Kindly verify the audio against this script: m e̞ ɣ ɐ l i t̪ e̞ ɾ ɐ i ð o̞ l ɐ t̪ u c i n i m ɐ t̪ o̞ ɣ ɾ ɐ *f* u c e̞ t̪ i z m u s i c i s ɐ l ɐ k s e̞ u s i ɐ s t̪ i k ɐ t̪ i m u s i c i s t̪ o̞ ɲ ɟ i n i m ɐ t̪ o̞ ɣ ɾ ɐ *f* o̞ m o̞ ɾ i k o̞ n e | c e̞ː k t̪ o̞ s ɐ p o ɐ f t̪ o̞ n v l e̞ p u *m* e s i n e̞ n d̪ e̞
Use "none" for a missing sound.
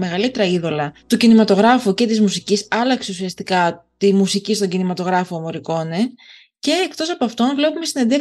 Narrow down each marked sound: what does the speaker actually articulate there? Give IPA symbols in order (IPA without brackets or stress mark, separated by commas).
f, f, m